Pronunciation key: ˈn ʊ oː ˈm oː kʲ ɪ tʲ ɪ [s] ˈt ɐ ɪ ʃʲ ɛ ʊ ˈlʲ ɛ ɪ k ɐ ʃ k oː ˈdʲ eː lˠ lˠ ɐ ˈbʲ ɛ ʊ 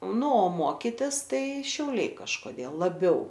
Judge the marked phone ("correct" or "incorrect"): correct